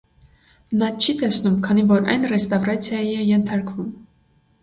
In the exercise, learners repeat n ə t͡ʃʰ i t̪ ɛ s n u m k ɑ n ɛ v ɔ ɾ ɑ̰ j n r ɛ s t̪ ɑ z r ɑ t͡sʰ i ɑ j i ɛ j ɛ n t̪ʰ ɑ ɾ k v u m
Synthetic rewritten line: n ɑ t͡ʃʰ i t̪ ɛ s n u m kʰ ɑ n i v ɔ ɾ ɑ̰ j n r ɛ s t̪ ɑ v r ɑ t͡sʰ j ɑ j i ɛ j ɛ n t̪ʰ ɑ ɾ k v u m